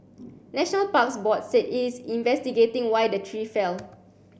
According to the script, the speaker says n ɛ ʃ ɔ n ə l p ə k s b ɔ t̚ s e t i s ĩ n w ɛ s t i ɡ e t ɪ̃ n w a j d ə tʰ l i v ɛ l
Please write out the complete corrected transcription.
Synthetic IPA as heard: n ɛ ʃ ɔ n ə l p a k s b ɔ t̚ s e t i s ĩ n v ɛ s t i ɡ e t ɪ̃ ŋ w a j d ə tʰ ɹ i f ɛ l